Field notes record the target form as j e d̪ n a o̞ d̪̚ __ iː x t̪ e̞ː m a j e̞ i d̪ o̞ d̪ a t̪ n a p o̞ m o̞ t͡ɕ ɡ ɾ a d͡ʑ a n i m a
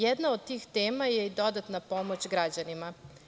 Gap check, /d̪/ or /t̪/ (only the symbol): t̪